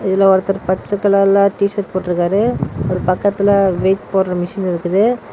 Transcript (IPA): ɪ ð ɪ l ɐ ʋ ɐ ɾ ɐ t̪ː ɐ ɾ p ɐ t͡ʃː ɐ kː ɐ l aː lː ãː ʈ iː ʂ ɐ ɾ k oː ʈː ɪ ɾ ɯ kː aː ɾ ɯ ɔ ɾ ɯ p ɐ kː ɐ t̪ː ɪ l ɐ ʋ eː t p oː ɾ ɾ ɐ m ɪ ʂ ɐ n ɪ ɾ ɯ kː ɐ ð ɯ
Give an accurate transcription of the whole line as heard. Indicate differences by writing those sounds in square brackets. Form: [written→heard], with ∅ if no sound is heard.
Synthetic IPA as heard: ɪ ð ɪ l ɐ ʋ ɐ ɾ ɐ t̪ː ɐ ɾ p ɐ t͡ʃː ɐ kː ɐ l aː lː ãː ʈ iː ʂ ɐ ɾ [k→p] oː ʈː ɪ ɾ ɯ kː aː ɾ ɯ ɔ ɾ ɯ p ɐ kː ɐ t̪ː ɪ l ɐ ʋ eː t p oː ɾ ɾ ɐ m ɪ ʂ ɐ n ɪ ɾ ɯ kː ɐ ð ɯ